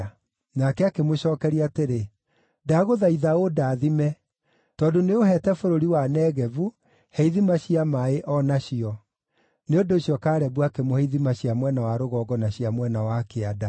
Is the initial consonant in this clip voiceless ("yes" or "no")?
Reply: no